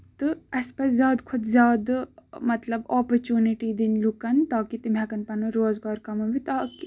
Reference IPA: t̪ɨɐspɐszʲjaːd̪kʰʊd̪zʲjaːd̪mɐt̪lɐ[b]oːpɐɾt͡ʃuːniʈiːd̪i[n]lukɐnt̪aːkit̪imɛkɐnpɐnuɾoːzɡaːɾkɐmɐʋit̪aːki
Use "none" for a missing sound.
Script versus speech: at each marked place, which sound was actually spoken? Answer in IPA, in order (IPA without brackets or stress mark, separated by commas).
b, n